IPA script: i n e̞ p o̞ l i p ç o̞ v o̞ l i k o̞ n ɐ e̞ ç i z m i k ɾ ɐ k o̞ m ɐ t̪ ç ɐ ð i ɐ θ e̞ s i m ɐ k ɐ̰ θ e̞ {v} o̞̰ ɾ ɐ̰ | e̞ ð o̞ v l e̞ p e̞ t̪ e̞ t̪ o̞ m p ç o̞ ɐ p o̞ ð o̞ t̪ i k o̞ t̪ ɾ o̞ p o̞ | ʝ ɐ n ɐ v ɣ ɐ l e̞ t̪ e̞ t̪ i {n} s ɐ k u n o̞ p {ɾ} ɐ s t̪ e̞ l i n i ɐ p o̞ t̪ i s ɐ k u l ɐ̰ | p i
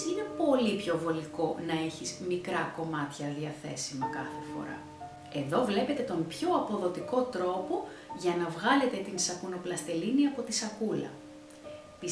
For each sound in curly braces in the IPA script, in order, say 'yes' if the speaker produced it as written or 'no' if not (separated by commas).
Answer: no, yes, no